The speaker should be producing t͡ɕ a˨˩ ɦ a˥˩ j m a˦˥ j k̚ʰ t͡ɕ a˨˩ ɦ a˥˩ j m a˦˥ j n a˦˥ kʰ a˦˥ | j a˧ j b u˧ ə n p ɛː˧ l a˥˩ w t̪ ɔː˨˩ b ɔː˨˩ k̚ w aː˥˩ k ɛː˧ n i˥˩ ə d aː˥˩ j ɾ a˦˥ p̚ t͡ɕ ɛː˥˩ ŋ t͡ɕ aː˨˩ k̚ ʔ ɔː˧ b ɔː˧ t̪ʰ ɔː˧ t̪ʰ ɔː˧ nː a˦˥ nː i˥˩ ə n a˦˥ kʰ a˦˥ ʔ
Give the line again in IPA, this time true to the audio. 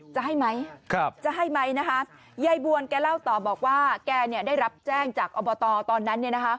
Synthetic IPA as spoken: t͡ɕ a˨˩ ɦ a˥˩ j m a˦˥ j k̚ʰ t͡ɕ a˨˩ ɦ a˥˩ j m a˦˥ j n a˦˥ kʰ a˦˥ | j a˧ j b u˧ ə n k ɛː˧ l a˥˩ w t̪ ɔː˨˩ b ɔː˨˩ k̚ w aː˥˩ k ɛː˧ n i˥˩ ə d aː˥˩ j ɾ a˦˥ p̚ t͡ɕ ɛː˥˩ ŋ t͡ɕ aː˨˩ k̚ ʔ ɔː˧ b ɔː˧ t̪ ɔː˧ t̪ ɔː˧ nː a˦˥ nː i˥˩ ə n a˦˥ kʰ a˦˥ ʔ